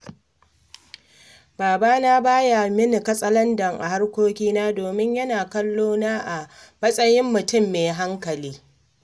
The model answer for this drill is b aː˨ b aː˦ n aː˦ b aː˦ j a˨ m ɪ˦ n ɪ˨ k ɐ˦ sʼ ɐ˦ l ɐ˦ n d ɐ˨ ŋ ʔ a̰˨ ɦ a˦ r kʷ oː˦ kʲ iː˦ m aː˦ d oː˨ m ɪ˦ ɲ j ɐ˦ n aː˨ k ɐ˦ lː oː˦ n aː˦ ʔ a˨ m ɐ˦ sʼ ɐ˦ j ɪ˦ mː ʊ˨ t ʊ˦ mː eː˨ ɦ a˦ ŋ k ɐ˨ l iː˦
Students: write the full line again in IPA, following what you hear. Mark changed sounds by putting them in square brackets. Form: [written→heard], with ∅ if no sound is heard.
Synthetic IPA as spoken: b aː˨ b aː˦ n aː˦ b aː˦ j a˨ m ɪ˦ n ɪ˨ k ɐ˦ sʼ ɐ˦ l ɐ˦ n d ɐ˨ ŋ ʔ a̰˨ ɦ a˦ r kʷ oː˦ kʲ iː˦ [m→n] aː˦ d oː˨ m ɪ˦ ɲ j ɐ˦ n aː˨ k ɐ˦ lː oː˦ n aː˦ ʔ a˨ m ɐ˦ sʼ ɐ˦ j ɪ˦ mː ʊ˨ t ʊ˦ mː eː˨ ɦ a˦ ŋ k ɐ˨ l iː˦